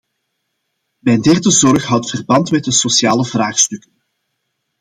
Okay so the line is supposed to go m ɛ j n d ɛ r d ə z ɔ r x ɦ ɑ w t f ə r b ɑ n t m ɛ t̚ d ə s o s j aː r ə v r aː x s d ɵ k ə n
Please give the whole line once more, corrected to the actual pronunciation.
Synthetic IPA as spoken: m ɛ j n d ɛ r d ə z ɔ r x ɦ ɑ w t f ə r b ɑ n t m ɛ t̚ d ə s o s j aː l ə v r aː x s t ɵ k ə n